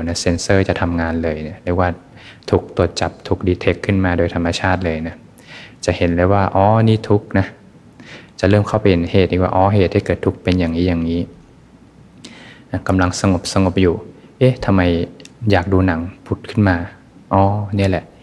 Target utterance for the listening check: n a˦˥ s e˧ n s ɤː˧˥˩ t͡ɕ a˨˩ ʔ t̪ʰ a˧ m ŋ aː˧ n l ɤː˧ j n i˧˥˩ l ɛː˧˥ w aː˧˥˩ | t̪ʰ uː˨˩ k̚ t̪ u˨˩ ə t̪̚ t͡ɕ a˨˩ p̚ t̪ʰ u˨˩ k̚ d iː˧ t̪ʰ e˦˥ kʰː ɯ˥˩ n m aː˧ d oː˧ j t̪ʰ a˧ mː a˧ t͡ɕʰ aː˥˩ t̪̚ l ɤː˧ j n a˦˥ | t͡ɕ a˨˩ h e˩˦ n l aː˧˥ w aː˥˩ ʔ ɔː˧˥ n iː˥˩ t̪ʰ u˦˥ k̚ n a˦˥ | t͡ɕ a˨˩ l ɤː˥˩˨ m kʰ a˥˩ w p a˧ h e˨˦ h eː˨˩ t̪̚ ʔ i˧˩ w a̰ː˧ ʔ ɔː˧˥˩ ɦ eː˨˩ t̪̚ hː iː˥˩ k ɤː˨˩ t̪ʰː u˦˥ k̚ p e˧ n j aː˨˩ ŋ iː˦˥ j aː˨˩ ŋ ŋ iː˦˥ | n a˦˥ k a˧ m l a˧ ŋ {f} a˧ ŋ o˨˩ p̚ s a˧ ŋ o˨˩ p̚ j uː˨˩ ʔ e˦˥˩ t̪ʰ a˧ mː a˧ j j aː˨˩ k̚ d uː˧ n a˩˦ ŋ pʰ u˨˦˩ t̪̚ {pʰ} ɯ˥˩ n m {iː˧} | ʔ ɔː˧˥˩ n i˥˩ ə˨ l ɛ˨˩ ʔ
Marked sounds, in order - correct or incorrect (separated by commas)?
incorrect, incorrect, incorrect